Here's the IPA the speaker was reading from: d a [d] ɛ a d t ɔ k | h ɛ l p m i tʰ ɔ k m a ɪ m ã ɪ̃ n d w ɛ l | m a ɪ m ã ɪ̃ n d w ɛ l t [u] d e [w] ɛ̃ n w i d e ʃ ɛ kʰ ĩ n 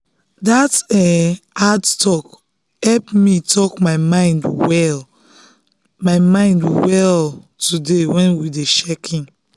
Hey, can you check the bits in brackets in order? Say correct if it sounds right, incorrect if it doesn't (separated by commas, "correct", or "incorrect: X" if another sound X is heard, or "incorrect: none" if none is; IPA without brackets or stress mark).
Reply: incorrect: t, correct, correct